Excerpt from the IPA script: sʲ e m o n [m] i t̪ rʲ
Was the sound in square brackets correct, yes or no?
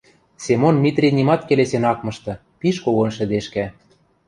yes